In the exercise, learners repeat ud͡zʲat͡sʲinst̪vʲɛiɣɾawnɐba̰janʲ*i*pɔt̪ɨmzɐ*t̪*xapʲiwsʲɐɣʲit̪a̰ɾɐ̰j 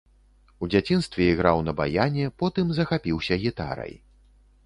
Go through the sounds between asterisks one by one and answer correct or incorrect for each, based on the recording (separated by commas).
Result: incorrect, incorrect